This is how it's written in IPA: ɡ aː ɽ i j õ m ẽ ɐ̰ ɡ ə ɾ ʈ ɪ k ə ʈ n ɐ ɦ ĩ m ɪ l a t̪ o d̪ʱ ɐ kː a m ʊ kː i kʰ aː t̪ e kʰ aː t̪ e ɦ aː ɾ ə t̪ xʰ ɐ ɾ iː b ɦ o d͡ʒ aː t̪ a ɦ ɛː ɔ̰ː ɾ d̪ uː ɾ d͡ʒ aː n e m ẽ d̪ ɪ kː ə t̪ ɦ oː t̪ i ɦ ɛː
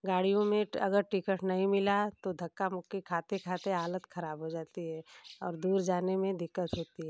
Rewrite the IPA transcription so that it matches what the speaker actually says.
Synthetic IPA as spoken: ɡ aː ɽ i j õ m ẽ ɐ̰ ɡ ə ɾ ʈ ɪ k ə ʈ n ɐ ɦ ĩ m ɪ l a t̪ o d̪ʱ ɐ kː a m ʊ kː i kʰ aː t̪ e kʰ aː t̪ e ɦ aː l ə t̪ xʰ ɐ ɾ aː b ɦ o d͡ʒ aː t̪ i ɦ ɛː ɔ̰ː ɾ d̪ uː ɾ d͡ʒ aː n e m ẽ d̪ ɪ kː ə t̪ ɦ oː t̪ i ɦ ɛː